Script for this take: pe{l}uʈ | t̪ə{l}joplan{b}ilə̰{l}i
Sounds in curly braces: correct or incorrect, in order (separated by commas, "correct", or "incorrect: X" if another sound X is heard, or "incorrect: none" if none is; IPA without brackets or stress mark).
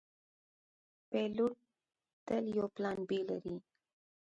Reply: correct, correct, correct, incorrect: ɾ